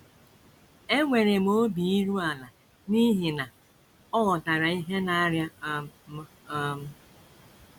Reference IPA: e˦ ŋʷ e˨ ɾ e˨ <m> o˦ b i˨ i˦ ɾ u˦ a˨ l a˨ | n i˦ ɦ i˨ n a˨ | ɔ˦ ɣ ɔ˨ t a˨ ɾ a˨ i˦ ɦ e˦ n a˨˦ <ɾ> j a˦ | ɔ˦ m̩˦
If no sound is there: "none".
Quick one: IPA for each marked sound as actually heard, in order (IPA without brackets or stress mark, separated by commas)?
m, ɾ